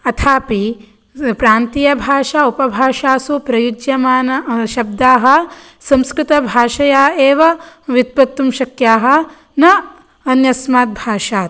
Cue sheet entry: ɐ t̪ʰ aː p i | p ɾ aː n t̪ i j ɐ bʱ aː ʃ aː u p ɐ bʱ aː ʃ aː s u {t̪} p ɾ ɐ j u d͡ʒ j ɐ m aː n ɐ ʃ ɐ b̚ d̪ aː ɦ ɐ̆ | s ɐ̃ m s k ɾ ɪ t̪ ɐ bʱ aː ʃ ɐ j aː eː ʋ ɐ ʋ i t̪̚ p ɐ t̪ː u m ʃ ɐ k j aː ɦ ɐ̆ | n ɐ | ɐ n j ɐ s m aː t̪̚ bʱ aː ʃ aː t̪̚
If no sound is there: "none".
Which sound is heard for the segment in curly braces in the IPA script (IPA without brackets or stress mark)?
none